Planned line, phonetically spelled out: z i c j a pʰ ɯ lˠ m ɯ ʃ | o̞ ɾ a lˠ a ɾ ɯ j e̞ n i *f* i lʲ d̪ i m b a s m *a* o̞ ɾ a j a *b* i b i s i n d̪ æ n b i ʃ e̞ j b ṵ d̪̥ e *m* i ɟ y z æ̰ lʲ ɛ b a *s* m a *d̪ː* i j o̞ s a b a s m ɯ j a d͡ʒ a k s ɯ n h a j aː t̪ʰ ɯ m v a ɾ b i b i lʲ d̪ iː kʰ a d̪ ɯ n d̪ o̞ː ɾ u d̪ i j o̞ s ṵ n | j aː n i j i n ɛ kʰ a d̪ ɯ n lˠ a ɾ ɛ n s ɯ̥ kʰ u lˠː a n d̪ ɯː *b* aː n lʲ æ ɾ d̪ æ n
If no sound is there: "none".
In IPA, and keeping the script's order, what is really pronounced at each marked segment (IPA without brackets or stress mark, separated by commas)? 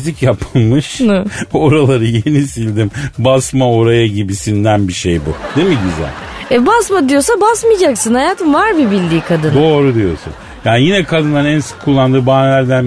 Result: s, a, ɟ, m, s, d̪, b